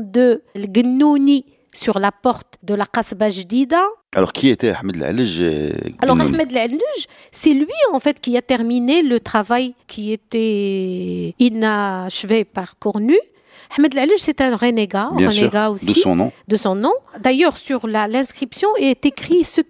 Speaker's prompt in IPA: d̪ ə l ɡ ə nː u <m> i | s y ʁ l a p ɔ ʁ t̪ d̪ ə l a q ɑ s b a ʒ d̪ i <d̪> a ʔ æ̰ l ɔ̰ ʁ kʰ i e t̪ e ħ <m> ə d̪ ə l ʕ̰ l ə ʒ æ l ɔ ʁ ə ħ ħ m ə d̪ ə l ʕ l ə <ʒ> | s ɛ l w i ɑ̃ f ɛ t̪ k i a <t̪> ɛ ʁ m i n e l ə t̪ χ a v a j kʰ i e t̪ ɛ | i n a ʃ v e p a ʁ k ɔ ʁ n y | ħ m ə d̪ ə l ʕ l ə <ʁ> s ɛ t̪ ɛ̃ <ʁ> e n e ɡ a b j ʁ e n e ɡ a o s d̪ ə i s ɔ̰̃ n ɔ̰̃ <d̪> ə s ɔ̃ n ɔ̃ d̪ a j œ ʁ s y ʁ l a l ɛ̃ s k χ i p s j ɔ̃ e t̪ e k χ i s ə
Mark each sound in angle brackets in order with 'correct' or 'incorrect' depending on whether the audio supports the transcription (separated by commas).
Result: incorrect, correct, correct, correct, correct, incorrect, correct, correct